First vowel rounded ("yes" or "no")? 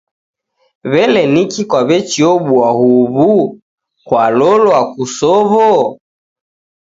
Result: no